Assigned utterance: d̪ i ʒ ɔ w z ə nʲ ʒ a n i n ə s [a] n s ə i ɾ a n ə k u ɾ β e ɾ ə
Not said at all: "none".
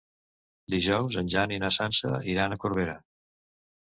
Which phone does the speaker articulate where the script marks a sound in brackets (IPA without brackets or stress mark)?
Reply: a